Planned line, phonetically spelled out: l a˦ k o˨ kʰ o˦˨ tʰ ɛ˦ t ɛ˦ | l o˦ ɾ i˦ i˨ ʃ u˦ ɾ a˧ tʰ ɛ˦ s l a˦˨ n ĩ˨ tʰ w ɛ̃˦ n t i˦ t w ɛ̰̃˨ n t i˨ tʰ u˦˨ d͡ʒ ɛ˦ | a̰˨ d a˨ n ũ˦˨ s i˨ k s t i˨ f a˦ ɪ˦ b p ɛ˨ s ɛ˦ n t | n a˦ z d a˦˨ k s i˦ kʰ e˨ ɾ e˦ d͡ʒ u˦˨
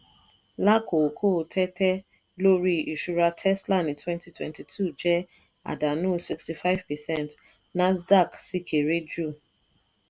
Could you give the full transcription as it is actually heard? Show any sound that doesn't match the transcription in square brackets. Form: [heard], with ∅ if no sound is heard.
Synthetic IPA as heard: l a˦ k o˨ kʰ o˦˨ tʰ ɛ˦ t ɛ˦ | l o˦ ɾ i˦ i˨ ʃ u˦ ɾ a˧ tʰ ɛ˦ s l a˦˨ n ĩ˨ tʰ w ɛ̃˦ n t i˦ t w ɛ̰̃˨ n t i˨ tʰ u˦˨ d͡ʒ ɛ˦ | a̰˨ d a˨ n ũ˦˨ s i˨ k s t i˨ f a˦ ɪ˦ [v] p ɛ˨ s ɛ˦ n t | n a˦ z d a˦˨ k s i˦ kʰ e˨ ɾ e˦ d͡ʒ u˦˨